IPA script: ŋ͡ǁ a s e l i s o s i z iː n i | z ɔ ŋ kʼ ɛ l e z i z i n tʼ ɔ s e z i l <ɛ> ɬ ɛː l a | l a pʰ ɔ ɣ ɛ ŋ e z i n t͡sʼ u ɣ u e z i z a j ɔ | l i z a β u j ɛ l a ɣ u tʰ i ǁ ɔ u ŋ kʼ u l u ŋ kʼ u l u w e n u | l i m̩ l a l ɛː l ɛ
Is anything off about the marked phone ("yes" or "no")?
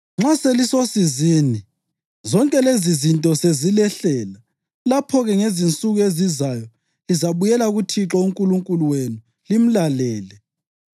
no